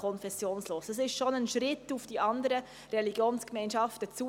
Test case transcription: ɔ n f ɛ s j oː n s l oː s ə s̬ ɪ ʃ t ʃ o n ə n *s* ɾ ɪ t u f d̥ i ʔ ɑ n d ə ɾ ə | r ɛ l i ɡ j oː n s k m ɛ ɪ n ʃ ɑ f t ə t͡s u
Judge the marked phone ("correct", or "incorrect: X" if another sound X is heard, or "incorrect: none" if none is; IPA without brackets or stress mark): incorrect: ʃ